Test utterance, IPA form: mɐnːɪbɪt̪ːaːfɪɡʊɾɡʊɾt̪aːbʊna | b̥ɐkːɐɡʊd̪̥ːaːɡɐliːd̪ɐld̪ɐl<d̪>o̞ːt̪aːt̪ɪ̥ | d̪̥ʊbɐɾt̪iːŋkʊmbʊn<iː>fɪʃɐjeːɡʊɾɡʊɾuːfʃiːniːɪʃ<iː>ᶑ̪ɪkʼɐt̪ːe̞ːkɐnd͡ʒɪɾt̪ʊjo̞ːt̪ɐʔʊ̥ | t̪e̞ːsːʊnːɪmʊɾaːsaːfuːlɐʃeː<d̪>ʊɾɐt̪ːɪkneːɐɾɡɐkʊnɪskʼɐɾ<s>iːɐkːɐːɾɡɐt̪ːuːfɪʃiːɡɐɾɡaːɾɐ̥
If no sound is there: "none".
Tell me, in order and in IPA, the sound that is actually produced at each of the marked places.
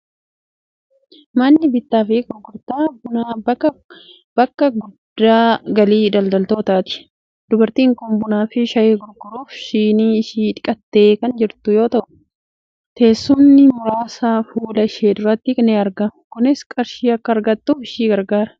t̪, aː, iː, d̪, ʃ

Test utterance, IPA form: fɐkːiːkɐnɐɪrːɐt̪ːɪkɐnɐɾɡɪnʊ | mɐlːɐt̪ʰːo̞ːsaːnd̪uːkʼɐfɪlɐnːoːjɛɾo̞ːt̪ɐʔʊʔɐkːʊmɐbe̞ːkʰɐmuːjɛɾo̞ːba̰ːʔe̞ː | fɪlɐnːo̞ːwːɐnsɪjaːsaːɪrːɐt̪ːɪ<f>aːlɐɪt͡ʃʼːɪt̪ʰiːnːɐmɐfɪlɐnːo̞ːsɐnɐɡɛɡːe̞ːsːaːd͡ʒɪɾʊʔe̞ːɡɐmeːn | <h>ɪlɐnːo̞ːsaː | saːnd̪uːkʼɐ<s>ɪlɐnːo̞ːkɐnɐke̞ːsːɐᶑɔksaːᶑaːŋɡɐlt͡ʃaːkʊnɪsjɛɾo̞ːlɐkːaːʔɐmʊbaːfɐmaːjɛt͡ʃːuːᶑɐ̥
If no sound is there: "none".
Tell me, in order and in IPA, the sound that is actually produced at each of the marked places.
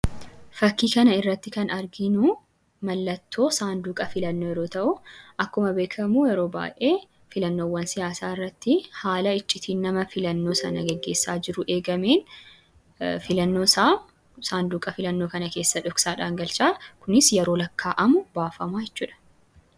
h, f, f

